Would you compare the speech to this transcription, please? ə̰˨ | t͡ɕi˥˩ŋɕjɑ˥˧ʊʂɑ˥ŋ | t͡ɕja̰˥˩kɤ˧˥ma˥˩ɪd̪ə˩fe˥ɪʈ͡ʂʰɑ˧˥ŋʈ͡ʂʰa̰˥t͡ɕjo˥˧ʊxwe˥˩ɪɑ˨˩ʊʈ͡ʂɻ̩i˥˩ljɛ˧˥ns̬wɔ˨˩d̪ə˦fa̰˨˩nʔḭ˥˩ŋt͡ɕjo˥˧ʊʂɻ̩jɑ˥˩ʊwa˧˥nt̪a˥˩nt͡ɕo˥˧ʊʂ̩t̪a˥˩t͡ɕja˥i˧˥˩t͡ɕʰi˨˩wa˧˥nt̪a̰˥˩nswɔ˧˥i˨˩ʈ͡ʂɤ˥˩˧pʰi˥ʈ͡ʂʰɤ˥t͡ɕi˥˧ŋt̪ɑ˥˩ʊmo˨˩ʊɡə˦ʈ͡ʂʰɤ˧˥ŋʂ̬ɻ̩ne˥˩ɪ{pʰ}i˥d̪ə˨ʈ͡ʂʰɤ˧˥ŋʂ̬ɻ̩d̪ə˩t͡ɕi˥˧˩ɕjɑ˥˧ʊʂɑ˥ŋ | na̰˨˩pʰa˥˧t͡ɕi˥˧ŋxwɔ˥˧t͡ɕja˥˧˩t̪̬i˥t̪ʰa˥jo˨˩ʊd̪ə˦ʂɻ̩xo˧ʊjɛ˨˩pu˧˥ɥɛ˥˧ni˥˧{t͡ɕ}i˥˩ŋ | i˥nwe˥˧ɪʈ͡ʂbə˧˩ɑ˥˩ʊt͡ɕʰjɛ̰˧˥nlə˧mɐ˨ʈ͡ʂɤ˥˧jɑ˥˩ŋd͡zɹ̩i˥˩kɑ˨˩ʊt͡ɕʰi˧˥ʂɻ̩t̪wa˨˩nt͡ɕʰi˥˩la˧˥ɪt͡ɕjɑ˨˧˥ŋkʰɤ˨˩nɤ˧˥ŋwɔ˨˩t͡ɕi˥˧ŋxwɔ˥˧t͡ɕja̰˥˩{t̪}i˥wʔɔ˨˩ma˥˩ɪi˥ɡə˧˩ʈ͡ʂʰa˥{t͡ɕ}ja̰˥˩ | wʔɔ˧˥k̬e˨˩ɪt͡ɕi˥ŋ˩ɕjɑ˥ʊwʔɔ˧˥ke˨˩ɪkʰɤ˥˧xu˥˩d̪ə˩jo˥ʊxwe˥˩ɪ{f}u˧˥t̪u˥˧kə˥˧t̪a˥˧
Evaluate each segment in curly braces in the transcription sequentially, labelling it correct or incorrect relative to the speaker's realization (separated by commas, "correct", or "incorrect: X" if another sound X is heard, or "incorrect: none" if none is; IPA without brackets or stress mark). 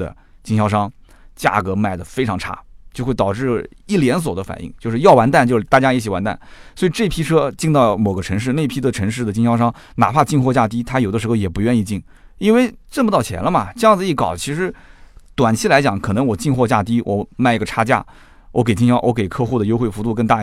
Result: correct, correct, correct, correct, correct